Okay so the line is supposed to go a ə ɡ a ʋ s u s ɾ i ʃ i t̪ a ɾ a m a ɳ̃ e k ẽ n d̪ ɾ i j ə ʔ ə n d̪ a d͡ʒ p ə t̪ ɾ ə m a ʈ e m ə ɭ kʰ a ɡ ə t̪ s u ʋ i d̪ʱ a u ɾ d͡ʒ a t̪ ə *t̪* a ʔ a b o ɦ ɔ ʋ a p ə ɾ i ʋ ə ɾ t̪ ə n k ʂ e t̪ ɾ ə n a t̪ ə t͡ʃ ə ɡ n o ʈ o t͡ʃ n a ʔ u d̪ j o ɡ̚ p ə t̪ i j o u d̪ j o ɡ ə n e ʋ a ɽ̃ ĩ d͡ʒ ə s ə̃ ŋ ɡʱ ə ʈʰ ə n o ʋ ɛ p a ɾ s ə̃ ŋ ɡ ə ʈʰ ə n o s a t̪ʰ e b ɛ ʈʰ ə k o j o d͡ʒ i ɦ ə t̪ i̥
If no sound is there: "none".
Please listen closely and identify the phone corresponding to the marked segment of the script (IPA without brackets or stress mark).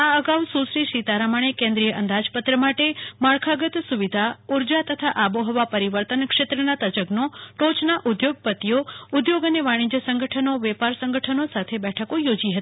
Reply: t̪ʰ